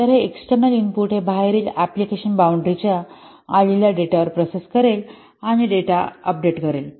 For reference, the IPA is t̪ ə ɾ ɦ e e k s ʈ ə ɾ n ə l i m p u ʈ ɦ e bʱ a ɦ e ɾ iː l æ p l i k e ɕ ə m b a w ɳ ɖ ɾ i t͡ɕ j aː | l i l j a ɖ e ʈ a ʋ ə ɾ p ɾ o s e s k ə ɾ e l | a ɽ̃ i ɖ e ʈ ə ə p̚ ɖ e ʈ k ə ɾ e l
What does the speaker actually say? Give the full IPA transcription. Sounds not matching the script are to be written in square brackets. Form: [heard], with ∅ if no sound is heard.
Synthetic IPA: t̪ ə ɾ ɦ e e k s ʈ ə ɾ n ə l i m p u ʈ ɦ e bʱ a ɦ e ɾ iː l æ p l i k e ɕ ə [n] b a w ɳ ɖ ɾ i t͡ɕ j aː | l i l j a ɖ e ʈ a ʋ ə ɾ p ɾ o s e s k ə ɾ e l | a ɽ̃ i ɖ e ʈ [a] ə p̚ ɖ e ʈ k ə ɾ e l